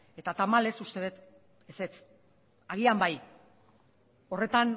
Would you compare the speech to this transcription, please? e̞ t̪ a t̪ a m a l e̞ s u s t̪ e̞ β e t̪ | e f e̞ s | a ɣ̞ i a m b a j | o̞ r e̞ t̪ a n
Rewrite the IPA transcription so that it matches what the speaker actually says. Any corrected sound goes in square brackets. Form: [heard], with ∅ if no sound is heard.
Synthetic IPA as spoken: e̞ t̪ a t̪ a m a l e̞ s u s t̪ e̞ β e t̪ | e [s] e̞ [t͡s] | a ɣ̞ i a m b a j | o̞ r e̞ t̪ a n